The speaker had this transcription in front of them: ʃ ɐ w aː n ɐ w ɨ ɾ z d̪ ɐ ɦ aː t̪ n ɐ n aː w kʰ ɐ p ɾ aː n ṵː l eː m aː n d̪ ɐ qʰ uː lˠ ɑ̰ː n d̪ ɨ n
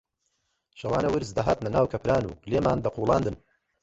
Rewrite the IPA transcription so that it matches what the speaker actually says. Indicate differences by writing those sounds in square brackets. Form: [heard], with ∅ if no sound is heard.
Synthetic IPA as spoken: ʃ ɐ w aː n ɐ w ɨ ɾ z d̪ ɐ ɦ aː t̪ n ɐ n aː w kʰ ɐ p ɾ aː n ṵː l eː m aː n d̪ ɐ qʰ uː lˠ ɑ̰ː n d̪ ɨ n